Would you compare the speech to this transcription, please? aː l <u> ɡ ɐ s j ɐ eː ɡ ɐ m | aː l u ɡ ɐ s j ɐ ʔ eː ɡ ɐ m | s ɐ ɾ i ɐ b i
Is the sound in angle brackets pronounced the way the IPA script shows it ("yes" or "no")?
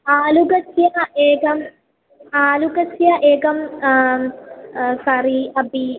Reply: yes